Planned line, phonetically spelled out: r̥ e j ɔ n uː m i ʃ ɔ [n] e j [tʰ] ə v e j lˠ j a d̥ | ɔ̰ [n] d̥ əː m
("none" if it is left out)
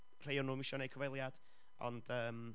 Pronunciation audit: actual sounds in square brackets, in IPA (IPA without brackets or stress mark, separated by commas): n, kʰ, n